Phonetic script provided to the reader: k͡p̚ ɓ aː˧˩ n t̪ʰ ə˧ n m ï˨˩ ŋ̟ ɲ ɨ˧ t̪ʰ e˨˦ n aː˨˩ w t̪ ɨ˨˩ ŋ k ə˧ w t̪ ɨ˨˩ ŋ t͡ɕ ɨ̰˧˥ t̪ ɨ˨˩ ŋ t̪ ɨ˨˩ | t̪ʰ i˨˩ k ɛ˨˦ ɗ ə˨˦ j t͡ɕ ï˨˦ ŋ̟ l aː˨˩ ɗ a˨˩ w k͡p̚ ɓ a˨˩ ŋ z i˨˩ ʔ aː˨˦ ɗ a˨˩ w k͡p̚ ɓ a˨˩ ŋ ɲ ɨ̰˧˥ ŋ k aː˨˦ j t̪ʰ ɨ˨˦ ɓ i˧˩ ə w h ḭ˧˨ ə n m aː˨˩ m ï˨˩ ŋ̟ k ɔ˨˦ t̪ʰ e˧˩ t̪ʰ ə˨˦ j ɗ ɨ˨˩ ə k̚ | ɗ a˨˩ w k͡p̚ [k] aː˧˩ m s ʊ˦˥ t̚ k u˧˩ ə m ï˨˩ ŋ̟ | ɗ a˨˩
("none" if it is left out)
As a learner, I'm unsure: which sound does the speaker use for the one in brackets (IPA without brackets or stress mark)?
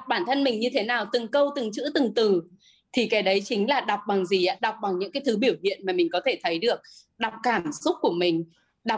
k